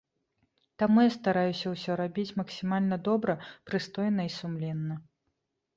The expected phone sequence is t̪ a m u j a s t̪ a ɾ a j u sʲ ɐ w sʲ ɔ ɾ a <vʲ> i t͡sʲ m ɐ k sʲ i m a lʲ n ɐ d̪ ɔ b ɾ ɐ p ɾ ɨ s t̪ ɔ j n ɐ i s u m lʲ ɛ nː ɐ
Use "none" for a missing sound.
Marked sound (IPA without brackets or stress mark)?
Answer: bʲ